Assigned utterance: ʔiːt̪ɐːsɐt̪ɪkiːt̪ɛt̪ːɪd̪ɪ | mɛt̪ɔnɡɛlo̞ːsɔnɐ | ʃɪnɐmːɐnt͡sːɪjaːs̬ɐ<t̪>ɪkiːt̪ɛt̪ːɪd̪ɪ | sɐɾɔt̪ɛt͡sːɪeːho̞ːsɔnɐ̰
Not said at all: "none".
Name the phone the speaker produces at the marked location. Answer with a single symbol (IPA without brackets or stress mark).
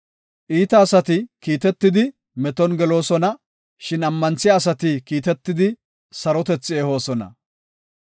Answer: t̪